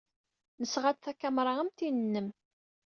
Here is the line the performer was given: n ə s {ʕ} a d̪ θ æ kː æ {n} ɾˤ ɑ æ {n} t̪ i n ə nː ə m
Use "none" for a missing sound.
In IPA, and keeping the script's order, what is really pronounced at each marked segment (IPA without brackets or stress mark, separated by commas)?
ʁ, m, m